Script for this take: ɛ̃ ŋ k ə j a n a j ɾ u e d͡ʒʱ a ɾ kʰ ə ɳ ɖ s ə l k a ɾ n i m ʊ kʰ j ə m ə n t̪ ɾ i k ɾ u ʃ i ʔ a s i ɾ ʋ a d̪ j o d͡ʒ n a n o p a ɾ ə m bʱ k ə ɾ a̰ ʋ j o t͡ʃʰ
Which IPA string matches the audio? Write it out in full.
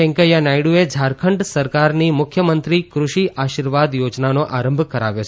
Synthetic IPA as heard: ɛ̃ ŋ k ə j a n a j ɽ u e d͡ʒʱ a ɾ kʰ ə ɳ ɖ s ə ɾ k a ɾ n i m ʊ kʰ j ə m ə n t̪ ɾ i k ɾ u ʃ i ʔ a ʃ i ɾ ʋ a d̪ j o d͡ʒ n a n o ʔ a ɾ ə m bʱ k ə ɾ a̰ ʋ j o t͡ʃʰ